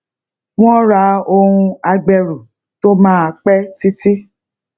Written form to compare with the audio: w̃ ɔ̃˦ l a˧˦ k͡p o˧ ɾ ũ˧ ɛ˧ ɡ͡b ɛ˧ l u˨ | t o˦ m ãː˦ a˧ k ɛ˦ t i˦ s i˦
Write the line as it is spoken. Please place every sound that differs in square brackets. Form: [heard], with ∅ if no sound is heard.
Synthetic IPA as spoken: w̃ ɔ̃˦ [ɾ] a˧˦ [∅] o˧ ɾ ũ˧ [a˧] ɡ͡b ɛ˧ [ɾ] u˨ | t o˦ m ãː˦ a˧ [k͡p] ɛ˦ t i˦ [t] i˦